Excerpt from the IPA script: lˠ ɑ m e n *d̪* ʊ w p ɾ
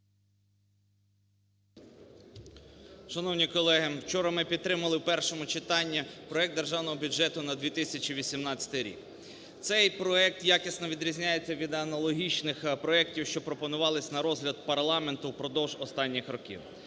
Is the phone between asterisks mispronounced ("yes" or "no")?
yes